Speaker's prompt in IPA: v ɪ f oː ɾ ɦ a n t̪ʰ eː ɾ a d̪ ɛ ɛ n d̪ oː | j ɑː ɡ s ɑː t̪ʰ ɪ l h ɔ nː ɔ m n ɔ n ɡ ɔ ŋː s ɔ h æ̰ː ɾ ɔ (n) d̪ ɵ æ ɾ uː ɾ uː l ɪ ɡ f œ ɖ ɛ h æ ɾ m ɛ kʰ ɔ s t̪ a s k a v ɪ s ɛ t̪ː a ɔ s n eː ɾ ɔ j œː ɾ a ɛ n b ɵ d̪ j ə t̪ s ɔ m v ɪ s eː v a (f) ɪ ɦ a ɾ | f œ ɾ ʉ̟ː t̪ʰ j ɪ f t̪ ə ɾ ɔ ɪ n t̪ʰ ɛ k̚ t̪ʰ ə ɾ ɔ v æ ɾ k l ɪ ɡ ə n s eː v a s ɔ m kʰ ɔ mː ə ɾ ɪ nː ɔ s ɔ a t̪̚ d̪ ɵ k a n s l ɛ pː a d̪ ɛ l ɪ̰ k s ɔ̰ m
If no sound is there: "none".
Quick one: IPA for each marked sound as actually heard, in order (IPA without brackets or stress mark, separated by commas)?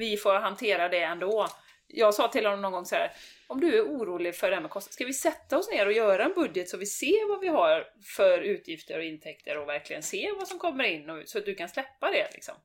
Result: m, v